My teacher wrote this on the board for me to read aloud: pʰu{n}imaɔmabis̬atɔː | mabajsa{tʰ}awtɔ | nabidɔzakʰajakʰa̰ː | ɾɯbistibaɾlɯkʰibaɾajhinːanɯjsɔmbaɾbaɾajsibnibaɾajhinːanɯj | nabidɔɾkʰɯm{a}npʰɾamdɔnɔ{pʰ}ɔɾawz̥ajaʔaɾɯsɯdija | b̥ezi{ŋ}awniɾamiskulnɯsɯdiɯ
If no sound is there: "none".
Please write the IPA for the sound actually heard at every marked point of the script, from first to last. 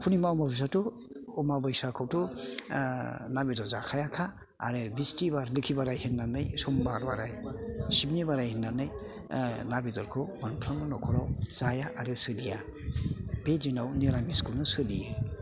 n, kʰ, a, kʰ, n

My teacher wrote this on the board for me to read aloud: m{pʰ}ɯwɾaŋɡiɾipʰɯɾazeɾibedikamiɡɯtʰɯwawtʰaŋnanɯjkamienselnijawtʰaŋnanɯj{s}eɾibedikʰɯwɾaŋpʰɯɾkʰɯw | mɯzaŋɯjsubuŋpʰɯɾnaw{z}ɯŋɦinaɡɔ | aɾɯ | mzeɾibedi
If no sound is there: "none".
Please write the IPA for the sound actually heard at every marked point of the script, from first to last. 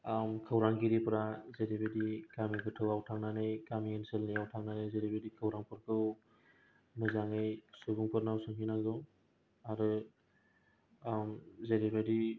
kʰ, z, s

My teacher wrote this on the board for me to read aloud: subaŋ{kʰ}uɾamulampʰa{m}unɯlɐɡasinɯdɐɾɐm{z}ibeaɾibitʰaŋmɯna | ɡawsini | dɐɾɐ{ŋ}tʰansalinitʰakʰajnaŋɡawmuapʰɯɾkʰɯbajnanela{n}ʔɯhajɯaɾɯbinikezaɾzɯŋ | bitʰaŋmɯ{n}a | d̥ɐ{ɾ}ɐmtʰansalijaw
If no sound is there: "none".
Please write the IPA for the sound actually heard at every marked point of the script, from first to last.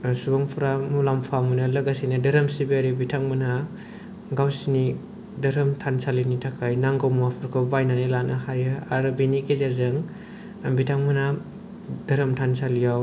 pʰ, m, s, m, n, n, ɾ

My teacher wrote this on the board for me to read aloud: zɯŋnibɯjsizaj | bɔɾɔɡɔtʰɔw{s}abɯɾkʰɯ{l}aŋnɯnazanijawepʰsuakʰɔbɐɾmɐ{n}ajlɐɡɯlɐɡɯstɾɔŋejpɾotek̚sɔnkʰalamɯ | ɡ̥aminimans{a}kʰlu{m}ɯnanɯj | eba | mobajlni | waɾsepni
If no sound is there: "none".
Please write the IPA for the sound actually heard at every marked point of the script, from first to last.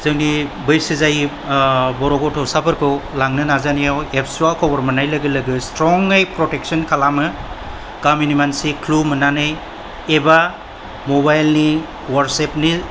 s, l, n, i, m

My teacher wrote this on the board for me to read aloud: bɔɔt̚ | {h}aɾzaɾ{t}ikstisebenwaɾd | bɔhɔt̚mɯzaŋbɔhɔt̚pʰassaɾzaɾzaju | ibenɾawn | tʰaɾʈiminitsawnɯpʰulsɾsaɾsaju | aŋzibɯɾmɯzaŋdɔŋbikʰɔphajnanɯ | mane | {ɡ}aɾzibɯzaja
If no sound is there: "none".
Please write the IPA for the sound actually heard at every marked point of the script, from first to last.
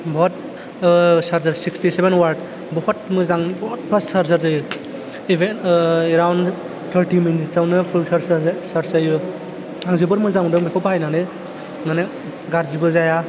s, s, ɡ

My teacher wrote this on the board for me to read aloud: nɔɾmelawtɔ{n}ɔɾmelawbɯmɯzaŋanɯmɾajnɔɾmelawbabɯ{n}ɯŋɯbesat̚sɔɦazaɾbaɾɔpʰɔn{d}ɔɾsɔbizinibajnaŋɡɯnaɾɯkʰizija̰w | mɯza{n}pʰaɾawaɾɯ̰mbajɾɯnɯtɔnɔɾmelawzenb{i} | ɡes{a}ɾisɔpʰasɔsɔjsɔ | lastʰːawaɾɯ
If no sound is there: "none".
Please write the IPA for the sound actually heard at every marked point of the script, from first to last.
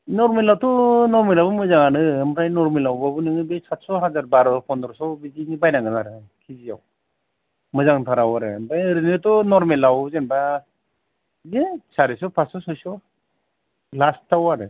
n, n, d, ŋ, a, a

